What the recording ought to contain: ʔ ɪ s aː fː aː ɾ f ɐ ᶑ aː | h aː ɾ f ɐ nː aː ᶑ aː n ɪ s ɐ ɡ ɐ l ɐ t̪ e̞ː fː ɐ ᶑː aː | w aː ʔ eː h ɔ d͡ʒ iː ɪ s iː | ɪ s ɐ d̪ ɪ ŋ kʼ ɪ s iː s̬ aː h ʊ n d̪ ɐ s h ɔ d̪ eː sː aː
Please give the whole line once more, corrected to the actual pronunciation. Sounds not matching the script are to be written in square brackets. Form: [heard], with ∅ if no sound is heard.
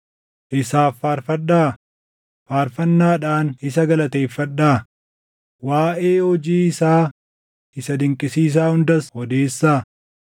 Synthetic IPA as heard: ʔ ɪ s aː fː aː ɾ f ɐ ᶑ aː | [f] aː ɾ f ɐ nː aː ᶑ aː n ɪ s ɐ ɡ ɐ l ɐ t̪ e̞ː fː ɐ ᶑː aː | w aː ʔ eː h ɔ d͡ʒ iː ɪ s [aː] | ɪ s ɐ d̪ ɪ ŋ kʼ ɪ s iː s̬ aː h ʊ n d̪ ɐ s h ɔ d̪ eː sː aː